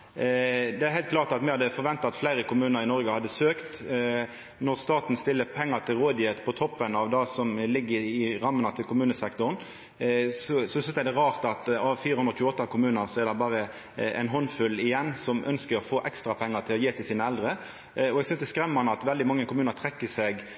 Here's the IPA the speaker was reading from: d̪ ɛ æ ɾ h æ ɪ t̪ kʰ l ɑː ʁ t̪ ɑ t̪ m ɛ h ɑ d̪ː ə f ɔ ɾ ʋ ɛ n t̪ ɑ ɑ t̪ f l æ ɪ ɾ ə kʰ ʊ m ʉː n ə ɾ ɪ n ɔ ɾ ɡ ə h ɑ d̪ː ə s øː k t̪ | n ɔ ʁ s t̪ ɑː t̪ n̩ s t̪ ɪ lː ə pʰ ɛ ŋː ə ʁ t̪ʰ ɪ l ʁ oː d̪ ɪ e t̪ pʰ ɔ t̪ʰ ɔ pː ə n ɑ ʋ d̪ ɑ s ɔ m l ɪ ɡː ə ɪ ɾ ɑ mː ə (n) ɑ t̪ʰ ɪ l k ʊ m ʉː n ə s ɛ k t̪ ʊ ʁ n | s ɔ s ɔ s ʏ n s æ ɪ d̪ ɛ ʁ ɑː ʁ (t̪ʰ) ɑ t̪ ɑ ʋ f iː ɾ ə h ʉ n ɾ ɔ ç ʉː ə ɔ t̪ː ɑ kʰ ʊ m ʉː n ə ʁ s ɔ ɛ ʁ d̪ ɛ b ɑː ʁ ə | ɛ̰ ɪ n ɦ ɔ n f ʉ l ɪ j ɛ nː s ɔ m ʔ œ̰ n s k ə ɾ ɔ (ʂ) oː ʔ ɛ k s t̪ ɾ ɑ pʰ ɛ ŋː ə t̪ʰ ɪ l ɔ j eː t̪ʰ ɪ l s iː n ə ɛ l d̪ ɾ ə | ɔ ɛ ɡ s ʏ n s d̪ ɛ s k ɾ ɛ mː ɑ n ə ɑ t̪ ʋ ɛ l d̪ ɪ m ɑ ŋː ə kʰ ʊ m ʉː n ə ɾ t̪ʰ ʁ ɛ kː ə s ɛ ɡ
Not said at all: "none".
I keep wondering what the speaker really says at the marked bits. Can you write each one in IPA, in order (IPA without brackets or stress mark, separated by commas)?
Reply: n, t̪, f